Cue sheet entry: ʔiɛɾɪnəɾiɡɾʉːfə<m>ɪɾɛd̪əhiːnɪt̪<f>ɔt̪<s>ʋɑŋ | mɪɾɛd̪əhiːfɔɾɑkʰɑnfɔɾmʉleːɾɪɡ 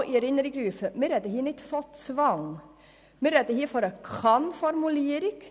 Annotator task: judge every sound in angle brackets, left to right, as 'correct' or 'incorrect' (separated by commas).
correct, correct, correct